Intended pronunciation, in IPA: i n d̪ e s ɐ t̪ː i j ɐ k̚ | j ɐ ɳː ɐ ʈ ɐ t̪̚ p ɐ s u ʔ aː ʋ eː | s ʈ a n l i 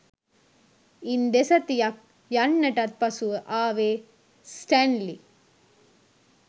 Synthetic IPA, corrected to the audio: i n d̪ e s ɐ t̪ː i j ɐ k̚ | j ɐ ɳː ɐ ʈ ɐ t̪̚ p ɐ s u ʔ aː ʋ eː | s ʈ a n l i